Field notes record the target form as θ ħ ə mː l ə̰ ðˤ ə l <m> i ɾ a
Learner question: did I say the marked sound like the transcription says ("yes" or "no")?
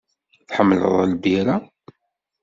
no